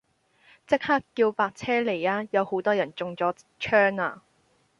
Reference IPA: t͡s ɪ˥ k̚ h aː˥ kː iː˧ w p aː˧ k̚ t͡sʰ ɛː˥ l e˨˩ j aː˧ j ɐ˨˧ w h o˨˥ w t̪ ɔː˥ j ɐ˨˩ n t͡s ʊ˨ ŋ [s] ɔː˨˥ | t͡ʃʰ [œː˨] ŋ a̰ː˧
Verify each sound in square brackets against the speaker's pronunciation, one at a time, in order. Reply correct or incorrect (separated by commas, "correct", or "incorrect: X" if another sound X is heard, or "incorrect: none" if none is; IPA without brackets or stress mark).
incorrect: t͡s, incorrect: œː˥